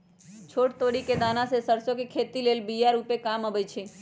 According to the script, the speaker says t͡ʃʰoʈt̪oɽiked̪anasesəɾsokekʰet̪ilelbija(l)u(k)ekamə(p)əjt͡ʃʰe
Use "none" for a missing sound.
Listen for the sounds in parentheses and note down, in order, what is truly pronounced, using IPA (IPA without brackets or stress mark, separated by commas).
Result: ɾ, p, b